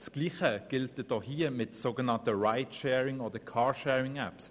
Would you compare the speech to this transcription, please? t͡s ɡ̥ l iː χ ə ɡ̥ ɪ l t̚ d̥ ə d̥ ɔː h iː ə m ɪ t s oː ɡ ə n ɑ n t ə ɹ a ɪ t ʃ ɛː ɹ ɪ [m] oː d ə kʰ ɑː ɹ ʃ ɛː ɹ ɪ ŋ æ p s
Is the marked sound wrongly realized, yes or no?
yes